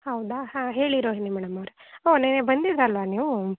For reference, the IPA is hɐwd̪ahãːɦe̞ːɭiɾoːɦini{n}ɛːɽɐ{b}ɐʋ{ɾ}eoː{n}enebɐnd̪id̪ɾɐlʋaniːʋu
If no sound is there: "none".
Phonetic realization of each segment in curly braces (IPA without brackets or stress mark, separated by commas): m, m, ɾ, n